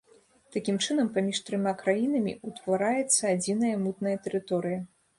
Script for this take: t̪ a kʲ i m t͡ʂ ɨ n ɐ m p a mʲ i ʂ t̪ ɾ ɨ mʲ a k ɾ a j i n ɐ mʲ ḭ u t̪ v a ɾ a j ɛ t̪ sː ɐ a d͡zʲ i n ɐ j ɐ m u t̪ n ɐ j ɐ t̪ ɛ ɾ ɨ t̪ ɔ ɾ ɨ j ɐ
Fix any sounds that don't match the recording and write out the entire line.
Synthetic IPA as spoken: t̪ a kʲ i m t͡ʂ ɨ n ɐ m p a mʲ i ʂ t̪ ɾ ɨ mʲ a k ɾ a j i n ɐ mʲ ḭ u t̪ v a ɾ a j ɛ t̪ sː ɐ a d͡zʲ i n ɐ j ɐ m u t̪ n ɐ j ɐ t̪ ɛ ɾ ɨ t̪ ɔ ɾ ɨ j ɐ